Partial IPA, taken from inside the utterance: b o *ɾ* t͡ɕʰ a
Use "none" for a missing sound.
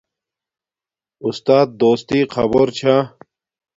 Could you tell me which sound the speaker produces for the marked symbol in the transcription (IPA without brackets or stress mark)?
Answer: ɾ